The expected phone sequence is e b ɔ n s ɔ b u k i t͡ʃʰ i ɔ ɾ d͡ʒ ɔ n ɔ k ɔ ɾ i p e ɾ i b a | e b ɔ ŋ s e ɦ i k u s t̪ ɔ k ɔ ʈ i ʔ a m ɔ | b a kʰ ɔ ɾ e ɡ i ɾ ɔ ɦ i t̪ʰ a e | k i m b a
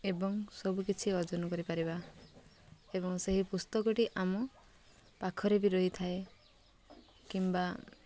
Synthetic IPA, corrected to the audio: e b ɔ ŋ s ɔ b u k i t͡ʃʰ i ɔ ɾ d͡ʒ ɔ n ɔ k ɔ ɾ i p a ɾ i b a | e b ɔ ŋ s e ɦ i p u s t̪ ɔ k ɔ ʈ i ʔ a m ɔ | p a kʰ ɔ ɾ e b i ɾ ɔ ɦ i t̪ʰ a e | k i m b a